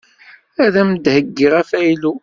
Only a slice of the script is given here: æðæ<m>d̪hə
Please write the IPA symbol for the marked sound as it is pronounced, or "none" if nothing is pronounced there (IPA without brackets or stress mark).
m